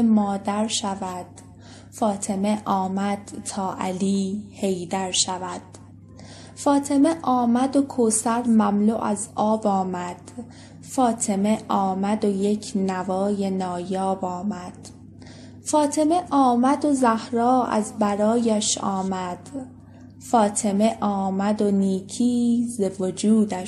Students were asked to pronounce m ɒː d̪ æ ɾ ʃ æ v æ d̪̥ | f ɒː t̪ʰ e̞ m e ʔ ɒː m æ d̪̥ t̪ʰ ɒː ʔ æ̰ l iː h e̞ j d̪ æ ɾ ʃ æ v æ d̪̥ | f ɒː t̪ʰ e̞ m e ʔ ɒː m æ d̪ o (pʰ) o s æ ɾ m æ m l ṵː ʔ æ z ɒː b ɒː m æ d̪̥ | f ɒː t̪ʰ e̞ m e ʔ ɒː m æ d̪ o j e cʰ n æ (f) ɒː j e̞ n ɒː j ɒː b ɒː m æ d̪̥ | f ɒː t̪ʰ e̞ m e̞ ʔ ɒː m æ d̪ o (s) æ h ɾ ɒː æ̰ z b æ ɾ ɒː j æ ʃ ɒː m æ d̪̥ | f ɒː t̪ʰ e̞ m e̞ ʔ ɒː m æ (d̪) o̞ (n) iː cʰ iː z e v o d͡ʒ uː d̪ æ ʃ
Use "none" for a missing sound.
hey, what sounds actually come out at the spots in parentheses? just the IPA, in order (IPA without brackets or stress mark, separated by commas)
kʰ, v, z, d̪, n